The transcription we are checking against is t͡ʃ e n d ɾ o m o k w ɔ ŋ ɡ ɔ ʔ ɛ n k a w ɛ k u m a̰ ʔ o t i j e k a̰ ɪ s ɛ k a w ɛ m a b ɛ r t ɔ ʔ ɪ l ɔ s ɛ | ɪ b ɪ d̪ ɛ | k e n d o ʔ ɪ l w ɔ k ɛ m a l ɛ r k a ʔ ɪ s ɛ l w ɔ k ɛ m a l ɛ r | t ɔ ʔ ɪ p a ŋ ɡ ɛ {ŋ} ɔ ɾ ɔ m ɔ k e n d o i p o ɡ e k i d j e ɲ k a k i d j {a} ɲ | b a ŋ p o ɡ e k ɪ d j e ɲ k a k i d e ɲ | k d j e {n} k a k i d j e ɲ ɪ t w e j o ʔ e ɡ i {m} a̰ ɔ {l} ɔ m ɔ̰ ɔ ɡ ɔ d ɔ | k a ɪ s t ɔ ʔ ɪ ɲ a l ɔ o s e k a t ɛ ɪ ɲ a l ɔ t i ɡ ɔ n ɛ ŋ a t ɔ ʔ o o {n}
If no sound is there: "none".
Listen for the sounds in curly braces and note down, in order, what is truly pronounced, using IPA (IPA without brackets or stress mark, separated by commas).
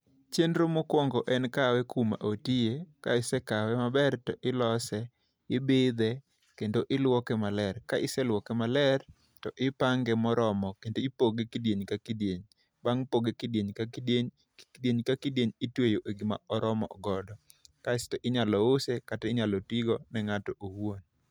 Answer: m, e, ɲ, m, ɾ, n